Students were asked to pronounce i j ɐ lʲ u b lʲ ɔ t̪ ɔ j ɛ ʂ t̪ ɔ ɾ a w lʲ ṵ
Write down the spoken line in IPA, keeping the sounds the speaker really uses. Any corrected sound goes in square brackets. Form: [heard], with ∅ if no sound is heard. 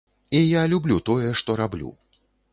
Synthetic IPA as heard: i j [a] lʲ u b lʲ [u] t̪ ɔ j ɛ ʂ t̪ ɔ ɾ a [b] lʲ ṵ

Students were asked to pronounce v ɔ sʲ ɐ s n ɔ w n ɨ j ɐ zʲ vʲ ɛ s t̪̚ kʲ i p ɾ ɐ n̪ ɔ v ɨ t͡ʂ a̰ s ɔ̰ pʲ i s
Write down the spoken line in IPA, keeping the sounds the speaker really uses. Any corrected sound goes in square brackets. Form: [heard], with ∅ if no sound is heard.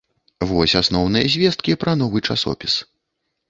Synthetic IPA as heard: v ɔ sʲ [a] s n ɔ w n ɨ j ɐ zʲ vʲ ɛ s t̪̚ kʲ i p ɾ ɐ n̪ ɔ v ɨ t͡ʂ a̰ s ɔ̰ pʲ i s

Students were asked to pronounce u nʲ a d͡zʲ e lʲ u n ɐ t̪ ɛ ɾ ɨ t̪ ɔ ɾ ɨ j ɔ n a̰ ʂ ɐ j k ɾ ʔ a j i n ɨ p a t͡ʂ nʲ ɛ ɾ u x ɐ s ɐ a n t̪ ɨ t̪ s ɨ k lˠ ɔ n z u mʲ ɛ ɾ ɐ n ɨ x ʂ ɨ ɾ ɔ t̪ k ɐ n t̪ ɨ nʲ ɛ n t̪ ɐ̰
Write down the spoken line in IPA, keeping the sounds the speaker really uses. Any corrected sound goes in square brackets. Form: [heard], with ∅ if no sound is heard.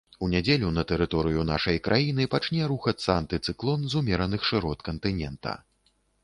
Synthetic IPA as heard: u nʲ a d͡zʲ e lʲ u n ɐ t̪ ɛ ɾ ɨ t̪ ɔ ɾ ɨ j [u] n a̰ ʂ ɐ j k ɾ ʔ a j i n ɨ p a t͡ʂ nʲ ɛ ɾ u x ɐ s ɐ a n t̪ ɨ t̪ s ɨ k lˠ ɔ n z u mʲ ɛ ɾ ɐ n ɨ x ʂ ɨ ɾ ɔ t̪ k ɐ n t̪ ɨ nʲ ɛ n t̪ ɐ̰

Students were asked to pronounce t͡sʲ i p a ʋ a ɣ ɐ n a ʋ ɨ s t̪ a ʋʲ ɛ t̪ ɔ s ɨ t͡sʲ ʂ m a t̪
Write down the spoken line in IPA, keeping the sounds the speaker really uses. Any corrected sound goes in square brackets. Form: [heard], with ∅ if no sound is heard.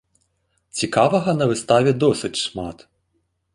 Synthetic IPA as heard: t͡sʲ i [k] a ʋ [ɐ] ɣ ɐ n [ɐ] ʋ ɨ s t̪ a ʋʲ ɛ [d̪] ɔ s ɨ t͡sʲ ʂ m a t̪

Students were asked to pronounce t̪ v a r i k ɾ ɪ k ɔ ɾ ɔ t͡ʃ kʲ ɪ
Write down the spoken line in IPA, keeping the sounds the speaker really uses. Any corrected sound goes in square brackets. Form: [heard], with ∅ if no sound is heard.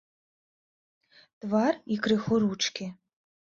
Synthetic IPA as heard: t̪ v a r i k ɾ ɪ [x] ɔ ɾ [u] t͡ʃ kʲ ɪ

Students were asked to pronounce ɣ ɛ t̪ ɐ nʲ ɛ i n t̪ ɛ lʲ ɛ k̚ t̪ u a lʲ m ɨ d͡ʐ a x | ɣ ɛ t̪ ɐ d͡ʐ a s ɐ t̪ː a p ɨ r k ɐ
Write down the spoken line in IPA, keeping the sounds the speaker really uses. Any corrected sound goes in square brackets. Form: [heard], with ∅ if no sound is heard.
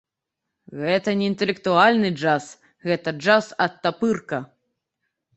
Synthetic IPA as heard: ɣ ɛ t̪ ɐ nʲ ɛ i n t̪ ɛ lʲ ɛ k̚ t̪ u a lʲ [n] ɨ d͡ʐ a [s] | ɣ ɛ t̪ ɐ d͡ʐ a s ɐ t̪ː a p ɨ r k ɐ

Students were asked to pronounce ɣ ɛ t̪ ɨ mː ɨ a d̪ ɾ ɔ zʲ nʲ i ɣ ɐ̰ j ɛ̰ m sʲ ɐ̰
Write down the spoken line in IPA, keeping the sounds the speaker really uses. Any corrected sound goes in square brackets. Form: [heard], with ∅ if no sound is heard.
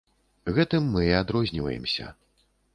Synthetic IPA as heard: ɣ ɛ t̪ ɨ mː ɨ a d̪ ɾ ɔ zʲ nʲ i [v] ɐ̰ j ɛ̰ m sʲ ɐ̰

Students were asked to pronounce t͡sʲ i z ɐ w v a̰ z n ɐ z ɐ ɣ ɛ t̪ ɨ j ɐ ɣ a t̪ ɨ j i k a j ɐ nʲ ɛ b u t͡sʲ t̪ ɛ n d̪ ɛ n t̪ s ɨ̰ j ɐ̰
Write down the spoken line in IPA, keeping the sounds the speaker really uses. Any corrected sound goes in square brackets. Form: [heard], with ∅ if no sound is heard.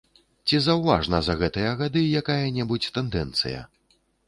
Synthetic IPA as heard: t͡sʲ i z ɐ w v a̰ [ʐ] n ɐ z ɐ ɣ ɛ t̪ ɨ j ɐ ɣ a [d̪] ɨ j [a] k a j ɐ nʲ ɛ b u t͡sʲ t̪ ɛ n d̪ ɛ n t̪ s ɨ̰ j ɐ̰

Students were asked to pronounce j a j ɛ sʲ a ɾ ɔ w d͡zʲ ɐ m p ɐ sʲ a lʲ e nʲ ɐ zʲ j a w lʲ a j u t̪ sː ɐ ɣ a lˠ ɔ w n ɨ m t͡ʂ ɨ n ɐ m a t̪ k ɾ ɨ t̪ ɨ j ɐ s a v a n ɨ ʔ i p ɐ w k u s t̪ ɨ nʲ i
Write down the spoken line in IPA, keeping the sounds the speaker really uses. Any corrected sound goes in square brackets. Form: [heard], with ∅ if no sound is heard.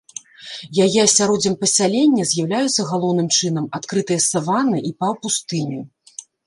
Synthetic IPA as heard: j a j ɛ sʲ a ɾ ɔ [∅] d͡zʲ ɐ m p ɐ sʲ a lʲ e [nʲː] ɐ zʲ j a w lʲ a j u t̪ sː ɐ ɣ a lˠ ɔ w n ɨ m t͡ʂ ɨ n ɐ m a t̪ k ɾ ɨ t̪ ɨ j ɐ s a v a n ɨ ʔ i p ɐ w [p] u s t̪ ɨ nʲ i

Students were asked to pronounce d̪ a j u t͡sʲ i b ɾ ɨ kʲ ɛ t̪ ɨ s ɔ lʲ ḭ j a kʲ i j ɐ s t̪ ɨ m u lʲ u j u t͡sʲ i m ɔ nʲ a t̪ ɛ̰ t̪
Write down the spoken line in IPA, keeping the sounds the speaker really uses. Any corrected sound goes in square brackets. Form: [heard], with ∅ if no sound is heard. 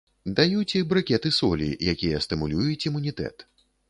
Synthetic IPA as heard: d̪ a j u t͡sʲ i b ɾ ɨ kʲ ɛ t̪ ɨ s ɔ lʲ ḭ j a kʲ i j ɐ s t̪ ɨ m u lʲ u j u t͡sʲ i m [u] nʲ [i] t̪ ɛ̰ t̪

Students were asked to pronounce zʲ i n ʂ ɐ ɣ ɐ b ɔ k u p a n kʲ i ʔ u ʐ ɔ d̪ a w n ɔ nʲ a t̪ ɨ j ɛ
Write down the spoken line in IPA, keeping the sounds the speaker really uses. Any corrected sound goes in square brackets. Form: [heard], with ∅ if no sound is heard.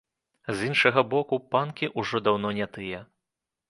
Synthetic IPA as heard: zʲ i n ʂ ɐ ɣ ɐ b ɔ k u p a n kʲ i ʔ u ʐ ɔ d̪ a w n ɔ nʲ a t̪ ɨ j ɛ

